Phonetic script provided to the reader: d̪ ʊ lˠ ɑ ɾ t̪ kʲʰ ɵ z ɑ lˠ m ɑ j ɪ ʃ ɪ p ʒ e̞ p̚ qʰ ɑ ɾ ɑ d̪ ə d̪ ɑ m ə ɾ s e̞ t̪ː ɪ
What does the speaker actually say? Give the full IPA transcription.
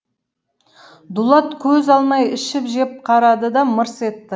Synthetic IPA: d̪ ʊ lˠ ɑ t̪ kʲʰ ɵ z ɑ lˠ m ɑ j ɪ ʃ ɪ p ʒ e̞ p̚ qʰ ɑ ɾ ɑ d̪ ə d̪ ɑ m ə ɾ s e̞ t̪ː ɪ